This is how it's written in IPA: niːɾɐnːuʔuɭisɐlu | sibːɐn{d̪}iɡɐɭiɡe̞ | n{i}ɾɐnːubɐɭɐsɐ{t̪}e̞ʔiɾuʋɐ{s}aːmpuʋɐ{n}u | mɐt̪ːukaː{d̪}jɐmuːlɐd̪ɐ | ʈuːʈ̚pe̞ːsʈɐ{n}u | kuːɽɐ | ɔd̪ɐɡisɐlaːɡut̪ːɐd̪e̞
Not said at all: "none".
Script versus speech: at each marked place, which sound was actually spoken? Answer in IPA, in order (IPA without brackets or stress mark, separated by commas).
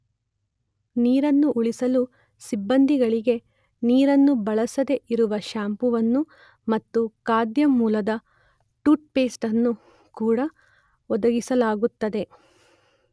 d̪, iː, d̪, ʃ, nː, d̪, nː